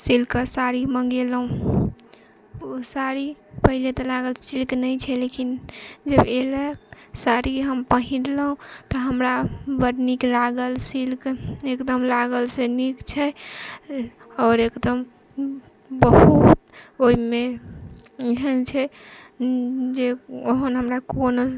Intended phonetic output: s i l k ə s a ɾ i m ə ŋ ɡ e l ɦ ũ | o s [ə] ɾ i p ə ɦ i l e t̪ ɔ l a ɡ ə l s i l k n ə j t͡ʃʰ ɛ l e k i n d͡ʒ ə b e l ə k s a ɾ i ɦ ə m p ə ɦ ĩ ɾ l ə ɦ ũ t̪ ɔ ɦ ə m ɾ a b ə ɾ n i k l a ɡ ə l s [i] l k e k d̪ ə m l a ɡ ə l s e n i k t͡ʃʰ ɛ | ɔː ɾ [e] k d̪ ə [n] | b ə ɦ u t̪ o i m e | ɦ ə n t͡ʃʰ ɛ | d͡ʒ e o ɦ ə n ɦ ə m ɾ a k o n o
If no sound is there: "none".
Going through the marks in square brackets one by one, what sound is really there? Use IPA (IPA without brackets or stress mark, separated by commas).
a, i, e, m